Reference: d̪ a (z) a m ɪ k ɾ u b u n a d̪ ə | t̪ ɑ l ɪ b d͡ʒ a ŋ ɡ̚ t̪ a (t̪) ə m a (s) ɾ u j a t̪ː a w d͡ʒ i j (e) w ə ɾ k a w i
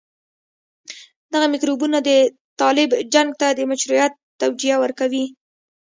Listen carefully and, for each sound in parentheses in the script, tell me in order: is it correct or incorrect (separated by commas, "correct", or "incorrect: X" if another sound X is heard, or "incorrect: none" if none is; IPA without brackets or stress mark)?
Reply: incorrect: ɣ, incorrect: d̪, incorrect: ʃ, incorrect: a